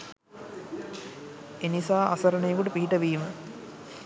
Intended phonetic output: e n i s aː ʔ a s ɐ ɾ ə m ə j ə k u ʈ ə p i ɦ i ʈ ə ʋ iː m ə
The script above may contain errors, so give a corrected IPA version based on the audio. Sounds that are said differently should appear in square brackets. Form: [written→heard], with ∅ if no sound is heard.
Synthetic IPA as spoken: e n i s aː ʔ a s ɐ ɾ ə [m→n] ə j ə k u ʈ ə p i ɦ i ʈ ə ʋ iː m ə